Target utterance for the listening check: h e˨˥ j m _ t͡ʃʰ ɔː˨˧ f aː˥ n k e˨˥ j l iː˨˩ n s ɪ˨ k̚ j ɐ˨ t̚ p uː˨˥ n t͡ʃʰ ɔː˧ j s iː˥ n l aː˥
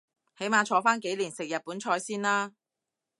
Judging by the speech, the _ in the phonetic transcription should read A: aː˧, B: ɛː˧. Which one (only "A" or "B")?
A